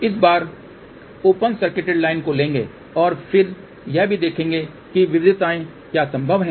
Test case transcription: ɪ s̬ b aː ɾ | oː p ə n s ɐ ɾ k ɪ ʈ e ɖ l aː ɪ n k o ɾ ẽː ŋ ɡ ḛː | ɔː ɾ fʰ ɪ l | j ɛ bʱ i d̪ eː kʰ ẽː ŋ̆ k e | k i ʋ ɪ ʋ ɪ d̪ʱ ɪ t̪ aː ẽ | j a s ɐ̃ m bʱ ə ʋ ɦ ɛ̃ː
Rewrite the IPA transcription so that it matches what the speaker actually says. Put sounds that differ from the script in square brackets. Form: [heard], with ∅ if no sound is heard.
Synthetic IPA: ɪ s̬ b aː ɾ | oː p ə n s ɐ ɾ k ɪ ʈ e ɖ l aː ɪ n k o [l] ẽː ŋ ɡ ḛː | ɔː ɾ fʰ ɪ [ɾ] | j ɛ bʱ i d̪ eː kʰ ẽː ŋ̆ [ɡ] e | k i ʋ ɪ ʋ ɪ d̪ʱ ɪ t̪ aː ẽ | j a s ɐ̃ m bʱ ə ʋ ɦ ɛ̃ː